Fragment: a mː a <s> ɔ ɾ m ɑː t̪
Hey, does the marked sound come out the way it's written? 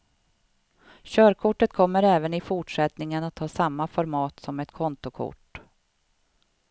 no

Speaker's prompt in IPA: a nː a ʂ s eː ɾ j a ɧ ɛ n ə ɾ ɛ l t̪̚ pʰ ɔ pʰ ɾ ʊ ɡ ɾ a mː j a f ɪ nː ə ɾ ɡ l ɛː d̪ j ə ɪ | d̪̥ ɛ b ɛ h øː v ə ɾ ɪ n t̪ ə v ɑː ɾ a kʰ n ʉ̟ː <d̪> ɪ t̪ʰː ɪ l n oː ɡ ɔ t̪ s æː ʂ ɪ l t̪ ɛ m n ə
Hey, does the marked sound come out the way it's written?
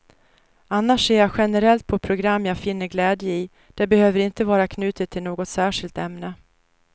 no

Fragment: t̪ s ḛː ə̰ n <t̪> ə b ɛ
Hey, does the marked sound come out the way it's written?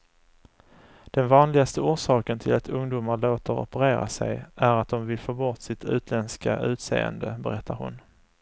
no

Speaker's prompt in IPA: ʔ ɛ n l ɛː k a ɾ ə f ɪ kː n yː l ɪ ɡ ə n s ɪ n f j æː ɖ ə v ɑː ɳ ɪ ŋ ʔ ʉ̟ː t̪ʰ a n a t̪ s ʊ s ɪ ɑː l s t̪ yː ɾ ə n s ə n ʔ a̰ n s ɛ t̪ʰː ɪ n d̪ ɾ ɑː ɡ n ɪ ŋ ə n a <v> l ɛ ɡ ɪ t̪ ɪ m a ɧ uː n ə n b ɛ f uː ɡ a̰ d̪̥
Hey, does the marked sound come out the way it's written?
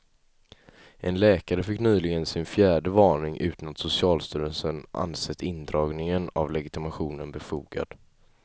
yes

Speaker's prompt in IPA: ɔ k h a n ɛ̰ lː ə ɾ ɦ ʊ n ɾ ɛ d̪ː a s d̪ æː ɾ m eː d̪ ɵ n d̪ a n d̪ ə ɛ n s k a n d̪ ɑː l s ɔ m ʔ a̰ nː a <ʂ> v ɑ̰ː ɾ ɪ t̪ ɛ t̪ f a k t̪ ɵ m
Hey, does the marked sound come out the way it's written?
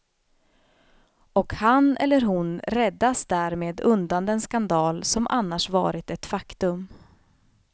yes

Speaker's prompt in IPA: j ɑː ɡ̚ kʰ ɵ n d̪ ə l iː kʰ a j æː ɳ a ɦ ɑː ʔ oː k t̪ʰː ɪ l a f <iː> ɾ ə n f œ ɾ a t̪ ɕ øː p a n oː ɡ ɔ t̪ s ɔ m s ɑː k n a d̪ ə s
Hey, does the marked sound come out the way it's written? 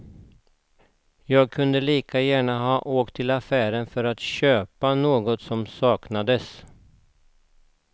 no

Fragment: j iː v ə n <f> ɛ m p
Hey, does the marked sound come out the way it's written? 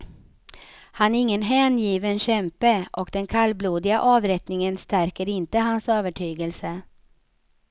no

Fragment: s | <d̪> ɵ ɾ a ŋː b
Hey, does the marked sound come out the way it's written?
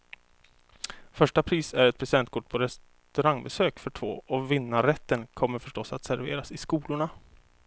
no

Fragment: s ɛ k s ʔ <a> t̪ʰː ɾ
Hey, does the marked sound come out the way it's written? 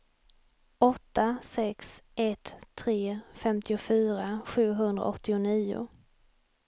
no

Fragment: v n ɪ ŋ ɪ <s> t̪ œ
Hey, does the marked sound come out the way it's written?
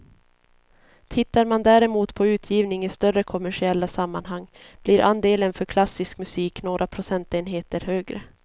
yes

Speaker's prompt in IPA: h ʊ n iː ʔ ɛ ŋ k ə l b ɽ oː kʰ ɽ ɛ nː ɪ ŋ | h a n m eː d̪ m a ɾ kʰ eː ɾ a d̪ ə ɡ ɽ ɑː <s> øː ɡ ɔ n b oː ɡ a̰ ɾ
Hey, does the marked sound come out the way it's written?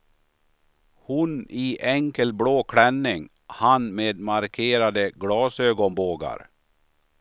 yes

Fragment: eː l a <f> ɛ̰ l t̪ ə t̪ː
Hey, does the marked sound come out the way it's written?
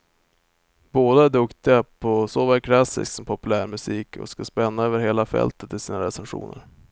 yes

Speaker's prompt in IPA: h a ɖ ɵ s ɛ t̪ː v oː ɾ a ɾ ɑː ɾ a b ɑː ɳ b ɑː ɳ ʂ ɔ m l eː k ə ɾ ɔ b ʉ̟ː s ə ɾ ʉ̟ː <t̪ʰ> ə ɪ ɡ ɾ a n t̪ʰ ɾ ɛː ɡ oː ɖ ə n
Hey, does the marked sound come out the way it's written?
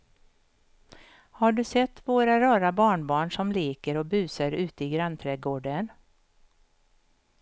no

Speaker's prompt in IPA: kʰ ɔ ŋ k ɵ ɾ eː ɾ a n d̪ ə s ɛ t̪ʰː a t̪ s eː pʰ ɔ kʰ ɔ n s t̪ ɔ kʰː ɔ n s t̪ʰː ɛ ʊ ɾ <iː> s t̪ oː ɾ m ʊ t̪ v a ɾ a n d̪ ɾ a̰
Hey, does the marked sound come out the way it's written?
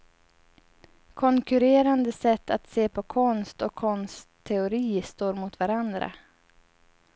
yes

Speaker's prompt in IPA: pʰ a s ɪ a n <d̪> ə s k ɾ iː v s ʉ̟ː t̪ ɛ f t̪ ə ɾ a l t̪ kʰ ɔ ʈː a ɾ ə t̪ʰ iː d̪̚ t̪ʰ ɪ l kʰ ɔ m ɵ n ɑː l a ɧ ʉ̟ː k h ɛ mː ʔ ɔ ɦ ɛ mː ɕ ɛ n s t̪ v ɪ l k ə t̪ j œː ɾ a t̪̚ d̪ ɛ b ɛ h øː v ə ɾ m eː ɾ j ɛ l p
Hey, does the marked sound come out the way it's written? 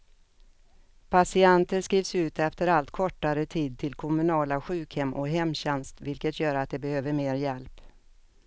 no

